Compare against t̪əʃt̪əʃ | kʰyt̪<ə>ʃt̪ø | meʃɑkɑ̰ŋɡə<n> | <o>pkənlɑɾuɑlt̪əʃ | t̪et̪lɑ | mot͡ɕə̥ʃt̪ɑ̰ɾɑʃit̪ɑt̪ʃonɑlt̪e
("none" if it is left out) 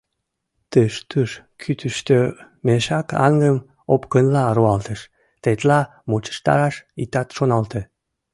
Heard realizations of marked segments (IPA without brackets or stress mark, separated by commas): ə, m, o